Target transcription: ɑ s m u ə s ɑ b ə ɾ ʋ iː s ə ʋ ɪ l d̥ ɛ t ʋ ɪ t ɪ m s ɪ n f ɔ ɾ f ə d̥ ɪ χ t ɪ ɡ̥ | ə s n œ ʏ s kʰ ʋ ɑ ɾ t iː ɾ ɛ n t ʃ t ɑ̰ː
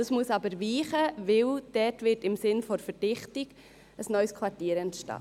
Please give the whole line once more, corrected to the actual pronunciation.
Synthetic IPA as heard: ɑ s m u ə s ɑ b ə ɾ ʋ iː χ ə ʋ ɪ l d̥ ɛ t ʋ ɪ t ɪ m s ɪ n f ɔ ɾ f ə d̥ ɪ χ t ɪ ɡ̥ | ə s n œ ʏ s kʰ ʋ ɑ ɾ t iː ɾ ɛ n t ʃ t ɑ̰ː